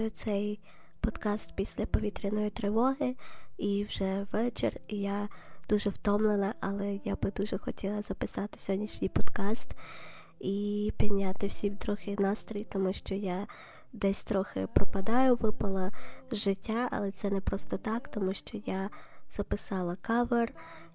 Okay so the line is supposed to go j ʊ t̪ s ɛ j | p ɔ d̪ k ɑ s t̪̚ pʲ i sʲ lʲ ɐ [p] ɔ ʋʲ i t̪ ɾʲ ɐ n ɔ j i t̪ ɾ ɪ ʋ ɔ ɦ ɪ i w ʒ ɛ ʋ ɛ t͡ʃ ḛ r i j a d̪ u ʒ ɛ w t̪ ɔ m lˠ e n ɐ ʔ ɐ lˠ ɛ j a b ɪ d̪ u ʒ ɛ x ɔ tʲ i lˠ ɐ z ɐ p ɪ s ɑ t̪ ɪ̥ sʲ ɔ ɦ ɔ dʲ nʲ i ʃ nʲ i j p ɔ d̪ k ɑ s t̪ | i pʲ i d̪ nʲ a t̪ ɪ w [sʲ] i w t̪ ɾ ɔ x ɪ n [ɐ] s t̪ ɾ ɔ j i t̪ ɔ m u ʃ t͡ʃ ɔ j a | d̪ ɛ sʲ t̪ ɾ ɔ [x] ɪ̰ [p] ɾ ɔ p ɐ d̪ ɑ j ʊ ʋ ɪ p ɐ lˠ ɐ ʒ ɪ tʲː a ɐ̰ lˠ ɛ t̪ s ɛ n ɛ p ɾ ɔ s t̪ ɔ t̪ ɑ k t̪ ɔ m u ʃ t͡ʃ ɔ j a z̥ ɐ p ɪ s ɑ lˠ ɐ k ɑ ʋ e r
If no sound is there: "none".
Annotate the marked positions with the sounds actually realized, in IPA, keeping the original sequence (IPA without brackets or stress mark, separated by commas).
p, sʲ, ɑ, x, p